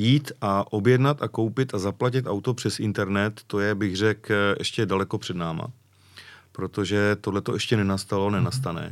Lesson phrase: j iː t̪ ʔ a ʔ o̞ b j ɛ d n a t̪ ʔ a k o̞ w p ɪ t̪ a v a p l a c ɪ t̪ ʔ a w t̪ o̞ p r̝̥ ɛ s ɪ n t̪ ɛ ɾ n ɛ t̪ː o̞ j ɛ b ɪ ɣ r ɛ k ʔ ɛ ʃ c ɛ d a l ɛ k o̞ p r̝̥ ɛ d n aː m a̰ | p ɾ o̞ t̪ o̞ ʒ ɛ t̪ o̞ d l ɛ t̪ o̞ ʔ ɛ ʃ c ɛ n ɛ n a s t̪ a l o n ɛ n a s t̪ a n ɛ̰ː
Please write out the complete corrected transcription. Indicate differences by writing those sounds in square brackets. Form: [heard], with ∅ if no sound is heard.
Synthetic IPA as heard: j iː t̪ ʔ a ʔ o̞ b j ɛ d n a t̪ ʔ a k o̞ w p ɪ t̪ a [z] a p l a c ɪ t̪ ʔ a w t̪ o̞ p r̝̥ ɛ s ɪ n t̪ ɛ ɾ n ɛ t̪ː o̞ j ɛ b ɪ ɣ r ɛ k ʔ ɛ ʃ c ɛ d a l ɛ k o̞ p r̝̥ ɛ d n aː m a̰ | p ɾ o̞ t̪ o̞ ʒ ɛ t̪ o̞ d l ɛ t̪ o̞ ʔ ɛ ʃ c ɛ n ɛ n a s t̪ a l o n ɛ n a s t̪ a n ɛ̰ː